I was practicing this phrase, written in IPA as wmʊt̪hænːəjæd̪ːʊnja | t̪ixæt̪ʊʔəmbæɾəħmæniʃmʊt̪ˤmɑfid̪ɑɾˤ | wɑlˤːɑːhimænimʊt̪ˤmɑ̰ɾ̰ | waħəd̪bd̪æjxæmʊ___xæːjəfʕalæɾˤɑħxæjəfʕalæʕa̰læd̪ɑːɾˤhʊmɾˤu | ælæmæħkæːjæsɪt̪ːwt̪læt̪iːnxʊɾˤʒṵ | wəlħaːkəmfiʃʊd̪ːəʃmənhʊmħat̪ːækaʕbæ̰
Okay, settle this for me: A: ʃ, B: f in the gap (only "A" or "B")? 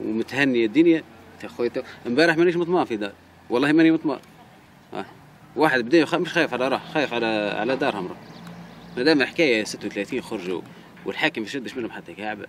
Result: A